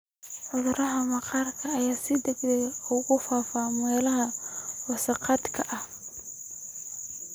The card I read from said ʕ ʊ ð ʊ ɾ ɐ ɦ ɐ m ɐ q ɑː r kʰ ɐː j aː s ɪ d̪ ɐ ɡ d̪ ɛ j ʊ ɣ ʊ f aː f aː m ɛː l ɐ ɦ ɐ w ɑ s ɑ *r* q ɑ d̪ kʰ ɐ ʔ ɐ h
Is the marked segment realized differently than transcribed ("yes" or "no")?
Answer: yes